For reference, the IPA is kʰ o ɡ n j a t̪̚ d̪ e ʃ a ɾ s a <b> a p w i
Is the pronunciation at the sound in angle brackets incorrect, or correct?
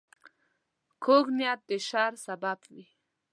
correct